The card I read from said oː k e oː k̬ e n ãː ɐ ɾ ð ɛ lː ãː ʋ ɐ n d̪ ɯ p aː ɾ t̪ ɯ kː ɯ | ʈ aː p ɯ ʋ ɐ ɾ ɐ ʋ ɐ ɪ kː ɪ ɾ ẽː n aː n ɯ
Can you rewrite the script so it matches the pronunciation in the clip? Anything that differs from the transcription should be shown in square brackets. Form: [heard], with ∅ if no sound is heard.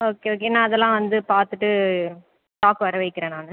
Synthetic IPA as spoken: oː k e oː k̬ e n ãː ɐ [∅] ð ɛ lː ãː ʋ ɐ n d̪ ɯ p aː ɾ t̪ ɯ [ʈː] ɯ | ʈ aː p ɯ ʋ ɐ ɾ ɐ ʋ ɐ ɪ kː ɪ ɾ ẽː n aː n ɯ